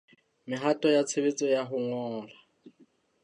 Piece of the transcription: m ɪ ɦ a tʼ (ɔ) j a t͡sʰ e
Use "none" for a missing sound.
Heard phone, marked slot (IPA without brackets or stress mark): ɔ